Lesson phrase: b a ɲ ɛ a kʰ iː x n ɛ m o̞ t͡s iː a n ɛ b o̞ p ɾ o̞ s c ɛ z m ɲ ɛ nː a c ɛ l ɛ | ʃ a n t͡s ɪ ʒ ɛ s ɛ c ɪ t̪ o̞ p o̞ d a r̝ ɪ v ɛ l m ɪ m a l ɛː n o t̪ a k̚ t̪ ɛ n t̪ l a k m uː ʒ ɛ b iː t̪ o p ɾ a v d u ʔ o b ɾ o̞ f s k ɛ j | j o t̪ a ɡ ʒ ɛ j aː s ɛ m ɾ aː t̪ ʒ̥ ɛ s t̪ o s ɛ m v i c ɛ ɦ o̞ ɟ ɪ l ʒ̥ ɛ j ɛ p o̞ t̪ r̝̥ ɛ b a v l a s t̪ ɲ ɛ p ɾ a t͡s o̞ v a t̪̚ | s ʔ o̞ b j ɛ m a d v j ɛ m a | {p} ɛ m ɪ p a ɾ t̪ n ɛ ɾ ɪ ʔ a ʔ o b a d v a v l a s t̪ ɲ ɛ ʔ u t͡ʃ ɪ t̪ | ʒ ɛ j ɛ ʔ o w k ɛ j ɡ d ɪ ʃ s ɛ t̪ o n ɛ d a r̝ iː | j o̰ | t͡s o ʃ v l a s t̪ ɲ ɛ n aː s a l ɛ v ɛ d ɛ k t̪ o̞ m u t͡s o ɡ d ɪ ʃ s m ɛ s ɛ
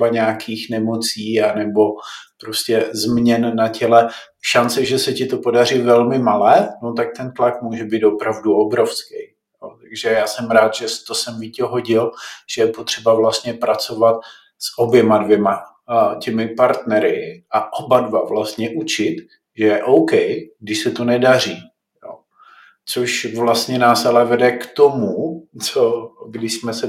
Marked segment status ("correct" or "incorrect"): incorrect